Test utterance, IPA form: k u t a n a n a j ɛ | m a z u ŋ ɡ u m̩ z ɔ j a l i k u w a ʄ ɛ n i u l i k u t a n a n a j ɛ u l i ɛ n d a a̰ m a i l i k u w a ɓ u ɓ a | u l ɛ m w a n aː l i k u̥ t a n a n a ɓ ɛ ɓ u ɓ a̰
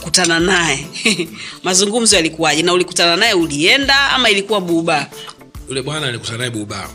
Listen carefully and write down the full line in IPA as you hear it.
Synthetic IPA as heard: k u t a n a n a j ɛ | m a z u ŋ ɡ u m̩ z ɔ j a l i k u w a ʄ ɛ n a u l i k u t a n a n a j ɛ u l i ɛ n d a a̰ m a i l i k u w a ɓ u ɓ a | u l ɛ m w a n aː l i k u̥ t a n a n a ɛ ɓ u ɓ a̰